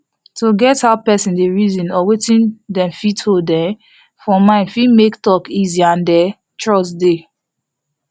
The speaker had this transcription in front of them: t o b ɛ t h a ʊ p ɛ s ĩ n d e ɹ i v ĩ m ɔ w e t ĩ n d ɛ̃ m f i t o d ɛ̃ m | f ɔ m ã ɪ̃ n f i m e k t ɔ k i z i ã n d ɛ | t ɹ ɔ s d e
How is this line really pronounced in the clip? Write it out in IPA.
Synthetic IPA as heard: t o ɡ ɛ t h a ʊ p ɛ s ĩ n d e ɹ i z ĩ n ɔ w e t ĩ n d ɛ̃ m f i t o d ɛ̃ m | f ɔ m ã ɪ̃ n f i m e k t ɔ k i z i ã n d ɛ | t ɹ ɔ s d e